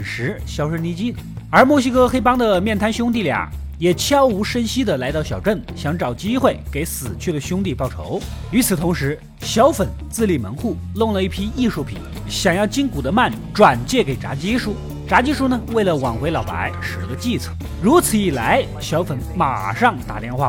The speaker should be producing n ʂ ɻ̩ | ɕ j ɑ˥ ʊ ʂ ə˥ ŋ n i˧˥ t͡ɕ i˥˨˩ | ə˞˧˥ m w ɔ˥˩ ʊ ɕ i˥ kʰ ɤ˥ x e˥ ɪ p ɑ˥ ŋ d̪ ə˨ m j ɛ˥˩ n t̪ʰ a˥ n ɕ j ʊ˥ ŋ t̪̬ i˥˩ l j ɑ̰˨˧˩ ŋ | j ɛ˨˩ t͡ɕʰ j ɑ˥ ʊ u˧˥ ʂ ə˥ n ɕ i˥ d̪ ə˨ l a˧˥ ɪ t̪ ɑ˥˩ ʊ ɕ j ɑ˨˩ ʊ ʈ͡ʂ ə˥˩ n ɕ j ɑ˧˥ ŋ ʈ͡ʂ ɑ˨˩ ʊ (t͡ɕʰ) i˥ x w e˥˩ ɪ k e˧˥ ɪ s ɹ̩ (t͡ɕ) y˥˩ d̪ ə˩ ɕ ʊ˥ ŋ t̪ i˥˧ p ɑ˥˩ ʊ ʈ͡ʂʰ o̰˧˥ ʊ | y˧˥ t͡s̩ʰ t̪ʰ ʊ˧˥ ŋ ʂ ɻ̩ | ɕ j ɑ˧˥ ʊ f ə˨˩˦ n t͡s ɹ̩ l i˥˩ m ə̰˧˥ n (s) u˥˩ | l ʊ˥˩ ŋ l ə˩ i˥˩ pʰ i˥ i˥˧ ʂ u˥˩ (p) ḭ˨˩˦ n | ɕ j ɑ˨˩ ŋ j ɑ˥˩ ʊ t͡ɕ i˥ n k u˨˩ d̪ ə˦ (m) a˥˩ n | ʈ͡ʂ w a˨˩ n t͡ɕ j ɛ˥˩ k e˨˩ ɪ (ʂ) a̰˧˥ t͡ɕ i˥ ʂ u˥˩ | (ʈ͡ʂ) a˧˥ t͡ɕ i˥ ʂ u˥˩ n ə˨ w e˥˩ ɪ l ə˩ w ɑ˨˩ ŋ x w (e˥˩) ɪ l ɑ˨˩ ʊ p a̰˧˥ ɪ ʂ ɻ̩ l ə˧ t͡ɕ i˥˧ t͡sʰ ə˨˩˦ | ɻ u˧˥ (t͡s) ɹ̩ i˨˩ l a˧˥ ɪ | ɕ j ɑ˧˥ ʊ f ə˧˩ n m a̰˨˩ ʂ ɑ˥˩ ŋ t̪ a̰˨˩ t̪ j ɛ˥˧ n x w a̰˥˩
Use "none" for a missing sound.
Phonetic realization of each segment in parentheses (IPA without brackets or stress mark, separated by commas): t͡ɕ, t͡ɕʰ, x, pʰ, m, ʈ͡ʂ, ʈ͡ʂ, e˧˥, t͡sʰ